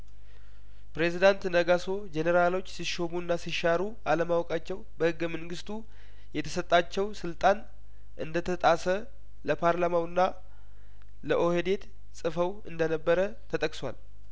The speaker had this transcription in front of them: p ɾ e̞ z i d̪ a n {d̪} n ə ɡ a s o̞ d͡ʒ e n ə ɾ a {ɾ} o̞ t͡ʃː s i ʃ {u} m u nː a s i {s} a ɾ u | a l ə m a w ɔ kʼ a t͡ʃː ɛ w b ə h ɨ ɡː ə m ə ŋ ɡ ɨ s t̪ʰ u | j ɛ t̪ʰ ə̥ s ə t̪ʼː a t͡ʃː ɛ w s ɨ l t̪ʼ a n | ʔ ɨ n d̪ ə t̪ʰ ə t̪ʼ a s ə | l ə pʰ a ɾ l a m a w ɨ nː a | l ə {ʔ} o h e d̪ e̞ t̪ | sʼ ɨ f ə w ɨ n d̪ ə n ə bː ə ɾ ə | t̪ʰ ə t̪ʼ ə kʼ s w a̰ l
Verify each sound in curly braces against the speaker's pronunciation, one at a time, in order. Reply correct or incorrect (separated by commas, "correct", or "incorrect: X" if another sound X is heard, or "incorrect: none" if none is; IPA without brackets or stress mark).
incorrect: t̪, incorrect: l, incorrect: o, incorrect: ʃ, correct